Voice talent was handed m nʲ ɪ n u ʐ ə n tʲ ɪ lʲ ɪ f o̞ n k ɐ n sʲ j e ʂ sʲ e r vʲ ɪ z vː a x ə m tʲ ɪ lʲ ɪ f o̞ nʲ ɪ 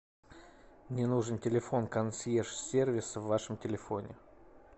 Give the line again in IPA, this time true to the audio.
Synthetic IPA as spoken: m nʲ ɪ n u ʐ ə n tʲ ɪ lʲ ɪ f o̞ n k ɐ n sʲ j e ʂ sʲ e r vʲ ɪ s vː a ʂ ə m tʲ ɪ lʲ ɪ f o̞ nʲ ɪ